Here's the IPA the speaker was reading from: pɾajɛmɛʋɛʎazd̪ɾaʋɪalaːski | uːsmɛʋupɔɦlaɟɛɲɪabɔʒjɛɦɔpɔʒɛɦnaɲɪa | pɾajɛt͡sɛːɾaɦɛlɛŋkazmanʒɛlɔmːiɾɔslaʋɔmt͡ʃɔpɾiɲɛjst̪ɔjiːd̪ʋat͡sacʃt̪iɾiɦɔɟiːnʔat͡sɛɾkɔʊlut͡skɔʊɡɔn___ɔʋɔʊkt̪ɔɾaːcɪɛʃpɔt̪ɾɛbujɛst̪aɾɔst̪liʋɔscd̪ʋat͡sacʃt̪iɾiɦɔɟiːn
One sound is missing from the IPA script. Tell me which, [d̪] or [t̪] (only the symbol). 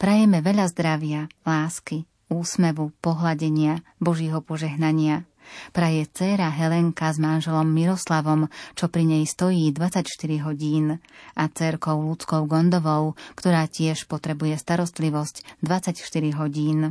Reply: d̪